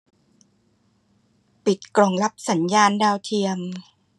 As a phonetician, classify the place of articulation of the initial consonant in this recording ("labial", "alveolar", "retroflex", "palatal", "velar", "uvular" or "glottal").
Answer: labial